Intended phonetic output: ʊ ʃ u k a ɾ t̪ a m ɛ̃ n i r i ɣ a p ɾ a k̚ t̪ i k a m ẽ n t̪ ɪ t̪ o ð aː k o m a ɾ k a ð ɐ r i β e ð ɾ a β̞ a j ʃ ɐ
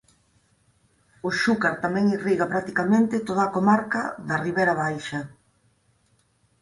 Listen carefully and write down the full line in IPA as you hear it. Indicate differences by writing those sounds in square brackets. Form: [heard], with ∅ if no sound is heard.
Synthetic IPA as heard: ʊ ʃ u k a ɾ t̪ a m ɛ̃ [ŋ] i r i ɣ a p ɾ a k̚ t̪ i k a m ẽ n t̪ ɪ t̪ o ð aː k o m a ɾ k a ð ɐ r i β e [∅] ɾ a β̞ a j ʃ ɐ